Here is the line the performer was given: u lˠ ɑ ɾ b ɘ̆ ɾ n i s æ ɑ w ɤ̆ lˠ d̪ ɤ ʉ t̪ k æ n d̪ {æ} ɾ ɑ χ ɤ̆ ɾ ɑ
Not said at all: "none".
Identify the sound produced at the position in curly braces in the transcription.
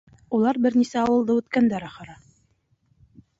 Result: æ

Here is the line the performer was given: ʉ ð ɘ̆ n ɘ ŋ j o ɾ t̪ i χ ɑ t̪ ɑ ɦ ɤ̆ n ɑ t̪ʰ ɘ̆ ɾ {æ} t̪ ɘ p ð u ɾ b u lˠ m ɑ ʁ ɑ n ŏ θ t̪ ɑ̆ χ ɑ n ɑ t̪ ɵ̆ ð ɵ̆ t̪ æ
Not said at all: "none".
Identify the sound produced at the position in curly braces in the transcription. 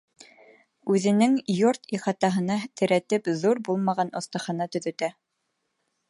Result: æ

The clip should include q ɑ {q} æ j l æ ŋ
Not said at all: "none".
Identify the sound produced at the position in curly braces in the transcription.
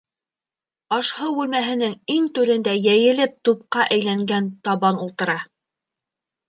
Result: ʔ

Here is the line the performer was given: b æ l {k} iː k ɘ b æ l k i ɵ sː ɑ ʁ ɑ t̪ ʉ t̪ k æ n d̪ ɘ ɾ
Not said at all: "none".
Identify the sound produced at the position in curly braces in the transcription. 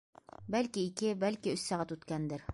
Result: k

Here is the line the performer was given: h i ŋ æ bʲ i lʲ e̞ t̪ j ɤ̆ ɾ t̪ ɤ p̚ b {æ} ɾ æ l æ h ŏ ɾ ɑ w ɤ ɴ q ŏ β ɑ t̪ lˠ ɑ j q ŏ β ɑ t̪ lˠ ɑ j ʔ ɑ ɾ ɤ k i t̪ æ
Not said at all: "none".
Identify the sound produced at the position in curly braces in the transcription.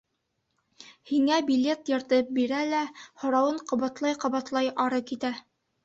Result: i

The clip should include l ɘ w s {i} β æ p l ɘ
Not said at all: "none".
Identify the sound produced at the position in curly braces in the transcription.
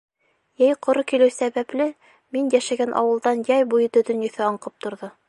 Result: æ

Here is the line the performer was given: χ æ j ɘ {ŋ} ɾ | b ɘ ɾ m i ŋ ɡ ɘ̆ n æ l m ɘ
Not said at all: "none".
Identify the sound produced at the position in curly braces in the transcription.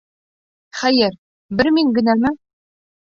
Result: none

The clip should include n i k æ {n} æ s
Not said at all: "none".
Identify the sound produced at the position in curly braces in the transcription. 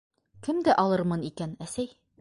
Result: n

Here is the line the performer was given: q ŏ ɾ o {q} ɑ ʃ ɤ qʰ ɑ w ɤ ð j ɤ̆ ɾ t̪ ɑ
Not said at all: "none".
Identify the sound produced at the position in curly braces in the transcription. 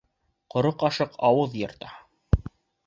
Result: q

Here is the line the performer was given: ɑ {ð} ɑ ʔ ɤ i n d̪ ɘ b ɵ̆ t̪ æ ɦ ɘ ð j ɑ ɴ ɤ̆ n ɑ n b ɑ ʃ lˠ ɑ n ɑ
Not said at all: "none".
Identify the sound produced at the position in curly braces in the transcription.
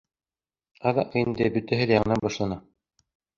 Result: ð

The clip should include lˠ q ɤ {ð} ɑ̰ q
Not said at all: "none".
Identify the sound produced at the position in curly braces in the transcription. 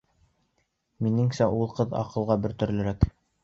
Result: ð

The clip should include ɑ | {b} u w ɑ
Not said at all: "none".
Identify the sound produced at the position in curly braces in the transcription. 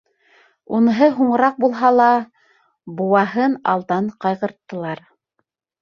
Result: b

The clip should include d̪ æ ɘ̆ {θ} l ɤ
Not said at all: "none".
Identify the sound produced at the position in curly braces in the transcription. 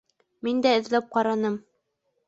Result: ð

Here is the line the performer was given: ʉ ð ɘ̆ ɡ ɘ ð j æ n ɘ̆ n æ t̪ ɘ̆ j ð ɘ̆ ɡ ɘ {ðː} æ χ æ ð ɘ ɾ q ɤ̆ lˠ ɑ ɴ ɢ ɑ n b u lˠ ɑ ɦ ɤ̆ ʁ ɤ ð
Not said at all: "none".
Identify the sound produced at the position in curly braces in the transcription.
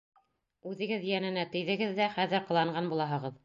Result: ðː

